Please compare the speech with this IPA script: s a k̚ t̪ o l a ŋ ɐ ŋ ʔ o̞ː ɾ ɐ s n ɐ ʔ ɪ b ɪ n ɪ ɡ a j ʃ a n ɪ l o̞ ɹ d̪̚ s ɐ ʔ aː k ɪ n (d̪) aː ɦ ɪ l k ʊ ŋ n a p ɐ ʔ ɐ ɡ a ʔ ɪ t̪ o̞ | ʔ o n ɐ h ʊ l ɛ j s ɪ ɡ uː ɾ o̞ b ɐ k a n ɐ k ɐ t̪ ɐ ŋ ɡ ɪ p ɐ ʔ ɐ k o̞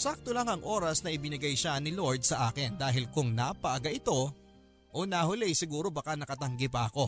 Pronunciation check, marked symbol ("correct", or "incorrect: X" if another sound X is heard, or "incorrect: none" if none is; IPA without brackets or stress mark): correct